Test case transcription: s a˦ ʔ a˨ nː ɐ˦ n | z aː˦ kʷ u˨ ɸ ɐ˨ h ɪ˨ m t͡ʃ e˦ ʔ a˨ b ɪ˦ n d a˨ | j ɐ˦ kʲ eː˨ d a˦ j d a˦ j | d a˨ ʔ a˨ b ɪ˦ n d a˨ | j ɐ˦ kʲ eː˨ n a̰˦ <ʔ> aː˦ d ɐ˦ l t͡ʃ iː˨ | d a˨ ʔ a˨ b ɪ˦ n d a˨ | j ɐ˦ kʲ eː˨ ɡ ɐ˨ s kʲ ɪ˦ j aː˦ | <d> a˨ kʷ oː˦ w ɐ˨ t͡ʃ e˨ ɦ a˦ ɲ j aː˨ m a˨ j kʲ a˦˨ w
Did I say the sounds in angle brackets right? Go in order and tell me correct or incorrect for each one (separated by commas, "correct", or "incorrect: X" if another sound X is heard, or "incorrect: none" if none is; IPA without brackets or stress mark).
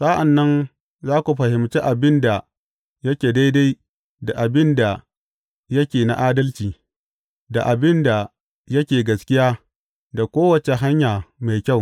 correct, correct